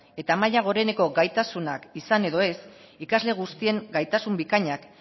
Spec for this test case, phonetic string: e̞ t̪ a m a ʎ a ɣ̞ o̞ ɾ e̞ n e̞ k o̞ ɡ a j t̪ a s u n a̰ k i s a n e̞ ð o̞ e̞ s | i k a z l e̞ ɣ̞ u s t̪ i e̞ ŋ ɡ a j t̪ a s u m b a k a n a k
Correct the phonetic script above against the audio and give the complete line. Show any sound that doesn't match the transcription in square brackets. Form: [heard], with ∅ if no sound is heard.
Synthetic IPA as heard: e̞ t̪ a m a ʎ a ɣ̞ o̞ ɾ e̞ n e̞ k o̞ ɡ a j t̪ a s u n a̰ k i s a n e̞ ð o̞ e̞ s | i k a z l e̞ ɣ̞ u s t̪ i e̞ ŋ ɡ a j t̪ a s u m b [i] k a [ɲ] a k